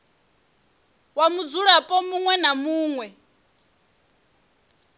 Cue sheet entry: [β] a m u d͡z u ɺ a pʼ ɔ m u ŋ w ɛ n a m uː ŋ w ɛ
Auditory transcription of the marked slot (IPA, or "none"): w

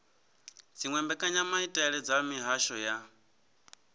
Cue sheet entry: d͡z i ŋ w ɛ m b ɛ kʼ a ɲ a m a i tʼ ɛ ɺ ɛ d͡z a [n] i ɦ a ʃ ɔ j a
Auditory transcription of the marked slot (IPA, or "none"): m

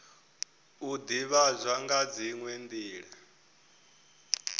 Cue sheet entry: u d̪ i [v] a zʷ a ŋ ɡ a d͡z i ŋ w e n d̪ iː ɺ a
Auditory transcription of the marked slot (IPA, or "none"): β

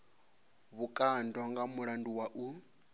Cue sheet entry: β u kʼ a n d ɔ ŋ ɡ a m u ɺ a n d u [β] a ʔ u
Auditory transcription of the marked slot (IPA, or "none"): w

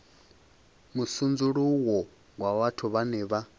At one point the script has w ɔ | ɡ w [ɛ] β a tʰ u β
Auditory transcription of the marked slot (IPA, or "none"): a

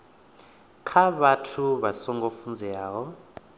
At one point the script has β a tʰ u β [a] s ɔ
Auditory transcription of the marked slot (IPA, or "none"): a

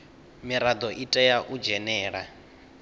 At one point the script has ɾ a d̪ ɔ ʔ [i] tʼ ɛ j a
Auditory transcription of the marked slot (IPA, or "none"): i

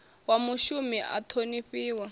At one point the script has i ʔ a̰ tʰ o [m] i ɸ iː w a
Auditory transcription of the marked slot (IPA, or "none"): n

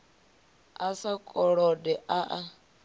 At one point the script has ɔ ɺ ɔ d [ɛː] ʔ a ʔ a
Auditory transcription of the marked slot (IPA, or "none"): ɛ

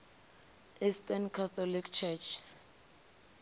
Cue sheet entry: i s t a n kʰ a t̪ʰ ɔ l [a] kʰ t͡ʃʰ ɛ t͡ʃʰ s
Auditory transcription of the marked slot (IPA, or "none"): i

